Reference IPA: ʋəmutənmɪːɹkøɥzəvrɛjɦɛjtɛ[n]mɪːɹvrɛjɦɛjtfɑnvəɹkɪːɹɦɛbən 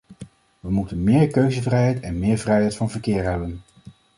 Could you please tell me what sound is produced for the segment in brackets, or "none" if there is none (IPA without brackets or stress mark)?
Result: n